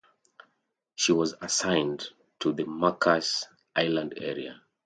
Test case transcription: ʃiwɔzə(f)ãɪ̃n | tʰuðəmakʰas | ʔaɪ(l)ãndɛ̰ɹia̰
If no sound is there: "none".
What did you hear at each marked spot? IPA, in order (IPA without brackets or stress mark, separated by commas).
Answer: s, l